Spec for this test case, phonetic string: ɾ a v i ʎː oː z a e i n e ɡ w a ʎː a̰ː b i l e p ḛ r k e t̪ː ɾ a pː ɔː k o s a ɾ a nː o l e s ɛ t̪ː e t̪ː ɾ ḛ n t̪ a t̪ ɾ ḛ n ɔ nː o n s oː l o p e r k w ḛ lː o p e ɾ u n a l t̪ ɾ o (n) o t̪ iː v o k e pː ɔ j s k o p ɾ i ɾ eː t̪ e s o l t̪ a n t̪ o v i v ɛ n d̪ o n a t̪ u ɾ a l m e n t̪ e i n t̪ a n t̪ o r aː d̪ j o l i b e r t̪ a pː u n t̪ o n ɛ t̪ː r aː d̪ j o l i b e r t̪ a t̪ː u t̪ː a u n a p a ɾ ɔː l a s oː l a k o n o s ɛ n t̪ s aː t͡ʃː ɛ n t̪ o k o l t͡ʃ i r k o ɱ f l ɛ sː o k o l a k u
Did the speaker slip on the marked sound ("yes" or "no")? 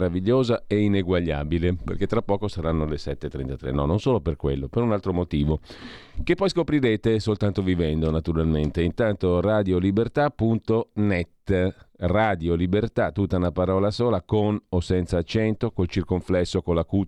yes